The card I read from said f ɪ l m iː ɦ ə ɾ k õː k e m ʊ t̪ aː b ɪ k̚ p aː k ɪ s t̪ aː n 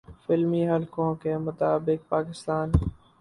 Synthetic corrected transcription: f ɪ l m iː ɦ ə l k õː k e m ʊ t̪ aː b ɪ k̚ p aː k ɪ s t̪ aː n